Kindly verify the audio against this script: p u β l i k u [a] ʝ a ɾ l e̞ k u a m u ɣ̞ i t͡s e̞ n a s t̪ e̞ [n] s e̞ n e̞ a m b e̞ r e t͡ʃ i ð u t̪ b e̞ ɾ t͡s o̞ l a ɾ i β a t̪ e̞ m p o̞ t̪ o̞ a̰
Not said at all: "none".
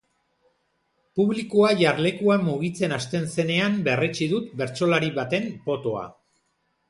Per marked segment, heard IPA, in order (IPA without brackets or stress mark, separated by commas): a, n